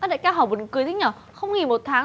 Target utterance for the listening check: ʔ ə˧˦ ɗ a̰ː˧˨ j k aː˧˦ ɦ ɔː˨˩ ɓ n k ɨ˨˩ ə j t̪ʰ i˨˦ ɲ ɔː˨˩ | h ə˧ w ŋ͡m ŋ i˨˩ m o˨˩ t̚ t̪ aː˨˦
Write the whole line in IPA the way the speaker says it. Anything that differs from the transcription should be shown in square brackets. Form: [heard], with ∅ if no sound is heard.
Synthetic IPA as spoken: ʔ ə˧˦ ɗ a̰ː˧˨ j k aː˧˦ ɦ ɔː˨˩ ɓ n k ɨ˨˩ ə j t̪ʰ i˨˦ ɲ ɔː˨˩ | [x] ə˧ w ŋ͡m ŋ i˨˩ m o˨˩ t̚ [t̪ʰ] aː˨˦